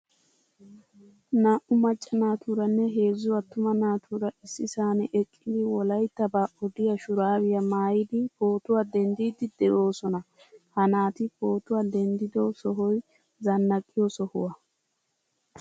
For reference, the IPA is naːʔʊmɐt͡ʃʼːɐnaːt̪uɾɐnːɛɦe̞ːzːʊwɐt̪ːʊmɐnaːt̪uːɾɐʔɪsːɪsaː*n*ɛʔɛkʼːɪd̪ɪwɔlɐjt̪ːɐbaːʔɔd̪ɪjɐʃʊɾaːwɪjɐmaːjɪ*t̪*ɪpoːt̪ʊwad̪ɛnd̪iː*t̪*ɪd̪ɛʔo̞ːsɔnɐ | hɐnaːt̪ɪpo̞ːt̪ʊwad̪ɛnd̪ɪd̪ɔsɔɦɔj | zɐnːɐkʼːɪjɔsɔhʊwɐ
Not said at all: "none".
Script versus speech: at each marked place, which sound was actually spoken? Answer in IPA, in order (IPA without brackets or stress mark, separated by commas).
n, d̪, d̪